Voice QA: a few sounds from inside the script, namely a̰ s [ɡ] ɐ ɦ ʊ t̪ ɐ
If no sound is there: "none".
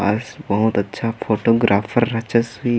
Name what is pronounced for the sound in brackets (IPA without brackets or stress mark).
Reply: b